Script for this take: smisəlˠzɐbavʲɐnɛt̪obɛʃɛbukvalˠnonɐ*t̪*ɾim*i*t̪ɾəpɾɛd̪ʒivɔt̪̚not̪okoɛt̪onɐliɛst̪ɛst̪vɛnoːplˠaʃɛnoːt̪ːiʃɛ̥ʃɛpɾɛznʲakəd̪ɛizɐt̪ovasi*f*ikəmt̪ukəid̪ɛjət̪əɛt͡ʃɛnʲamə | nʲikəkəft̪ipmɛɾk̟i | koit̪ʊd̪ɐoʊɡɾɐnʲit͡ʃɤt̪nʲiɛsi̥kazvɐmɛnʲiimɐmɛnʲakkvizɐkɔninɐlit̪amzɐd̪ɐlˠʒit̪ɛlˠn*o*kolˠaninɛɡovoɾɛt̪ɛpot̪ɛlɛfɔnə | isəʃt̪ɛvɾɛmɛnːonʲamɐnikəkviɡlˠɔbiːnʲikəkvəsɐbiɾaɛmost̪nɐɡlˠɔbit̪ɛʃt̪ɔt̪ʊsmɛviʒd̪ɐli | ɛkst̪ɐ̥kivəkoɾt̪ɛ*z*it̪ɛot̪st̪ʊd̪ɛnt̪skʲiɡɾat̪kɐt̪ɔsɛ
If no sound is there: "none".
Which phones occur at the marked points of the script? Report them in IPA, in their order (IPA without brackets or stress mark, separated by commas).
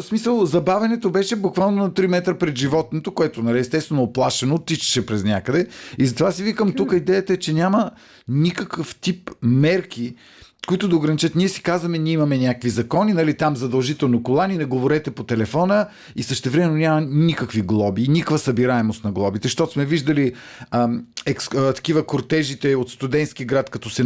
t̪, ɛ, v, o, ʒ